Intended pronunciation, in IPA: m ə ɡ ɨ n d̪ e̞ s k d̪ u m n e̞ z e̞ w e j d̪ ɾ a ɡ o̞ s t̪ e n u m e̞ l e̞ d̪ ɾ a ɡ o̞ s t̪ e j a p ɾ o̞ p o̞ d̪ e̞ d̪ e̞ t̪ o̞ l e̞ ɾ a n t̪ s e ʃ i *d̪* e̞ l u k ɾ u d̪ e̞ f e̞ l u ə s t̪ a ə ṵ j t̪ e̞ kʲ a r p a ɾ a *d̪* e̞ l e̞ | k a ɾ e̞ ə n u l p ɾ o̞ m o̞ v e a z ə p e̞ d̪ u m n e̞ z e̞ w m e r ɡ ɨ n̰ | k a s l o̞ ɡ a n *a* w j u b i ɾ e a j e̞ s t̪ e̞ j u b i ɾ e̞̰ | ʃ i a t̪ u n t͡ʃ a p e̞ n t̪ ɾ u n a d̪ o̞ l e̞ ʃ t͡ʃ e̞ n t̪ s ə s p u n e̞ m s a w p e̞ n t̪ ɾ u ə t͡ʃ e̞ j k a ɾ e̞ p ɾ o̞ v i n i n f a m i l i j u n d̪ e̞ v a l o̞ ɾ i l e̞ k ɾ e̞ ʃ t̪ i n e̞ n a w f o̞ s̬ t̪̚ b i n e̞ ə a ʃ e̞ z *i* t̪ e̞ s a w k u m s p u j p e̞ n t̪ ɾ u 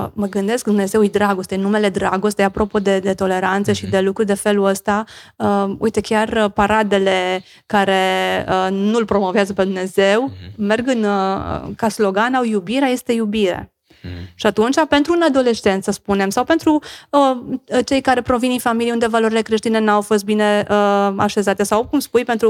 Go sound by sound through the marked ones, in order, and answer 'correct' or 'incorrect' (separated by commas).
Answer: correct, correct, correct, incorrect